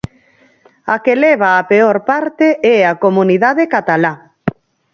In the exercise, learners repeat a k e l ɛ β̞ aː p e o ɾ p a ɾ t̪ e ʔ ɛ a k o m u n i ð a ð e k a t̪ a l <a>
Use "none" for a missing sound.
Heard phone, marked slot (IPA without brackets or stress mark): a